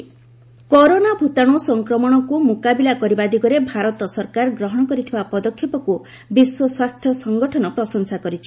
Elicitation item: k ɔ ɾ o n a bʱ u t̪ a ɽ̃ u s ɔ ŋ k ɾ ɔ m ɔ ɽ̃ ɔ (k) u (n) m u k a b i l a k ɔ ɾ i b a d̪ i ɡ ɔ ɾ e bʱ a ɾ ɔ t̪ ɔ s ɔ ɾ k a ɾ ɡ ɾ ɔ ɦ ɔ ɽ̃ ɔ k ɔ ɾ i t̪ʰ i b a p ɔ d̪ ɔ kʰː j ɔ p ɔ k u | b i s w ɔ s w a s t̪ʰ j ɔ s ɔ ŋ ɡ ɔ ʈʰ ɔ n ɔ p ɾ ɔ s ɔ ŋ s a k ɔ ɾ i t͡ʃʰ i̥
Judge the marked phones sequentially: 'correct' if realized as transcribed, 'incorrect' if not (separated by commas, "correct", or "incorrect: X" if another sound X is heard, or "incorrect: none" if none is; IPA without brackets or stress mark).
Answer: correct, incorrect: none